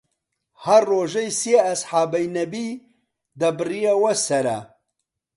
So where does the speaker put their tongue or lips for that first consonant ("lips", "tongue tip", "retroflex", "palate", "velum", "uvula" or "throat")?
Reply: throat